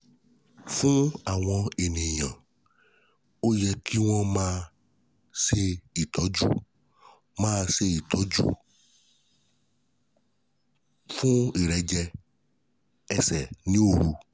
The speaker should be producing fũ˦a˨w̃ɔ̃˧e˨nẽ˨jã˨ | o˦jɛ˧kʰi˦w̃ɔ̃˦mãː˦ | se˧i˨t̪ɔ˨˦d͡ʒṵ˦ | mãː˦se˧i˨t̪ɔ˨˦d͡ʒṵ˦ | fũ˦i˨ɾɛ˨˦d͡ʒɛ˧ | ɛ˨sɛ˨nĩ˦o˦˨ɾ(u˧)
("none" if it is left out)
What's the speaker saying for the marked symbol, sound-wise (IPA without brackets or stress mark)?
u˧